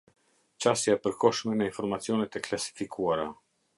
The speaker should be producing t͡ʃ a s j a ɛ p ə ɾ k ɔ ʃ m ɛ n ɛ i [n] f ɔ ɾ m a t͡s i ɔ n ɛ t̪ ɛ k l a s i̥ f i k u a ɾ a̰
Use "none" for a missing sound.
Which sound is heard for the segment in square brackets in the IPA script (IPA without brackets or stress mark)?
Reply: n